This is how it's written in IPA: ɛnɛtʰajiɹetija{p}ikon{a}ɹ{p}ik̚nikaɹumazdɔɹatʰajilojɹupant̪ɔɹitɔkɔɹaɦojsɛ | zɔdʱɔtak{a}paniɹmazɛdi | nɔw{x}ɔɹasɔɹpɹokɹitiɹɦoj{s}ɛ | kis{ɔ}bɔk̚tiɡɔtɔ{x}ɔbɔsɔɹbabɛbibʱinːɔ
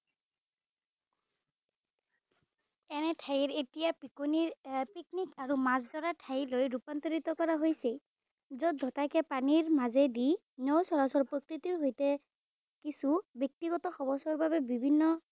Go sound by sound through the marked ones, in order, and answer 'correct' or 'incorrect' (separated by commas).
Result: correct, incorrect, correct, incorrect, incorrect, incorrect, incorrect, correct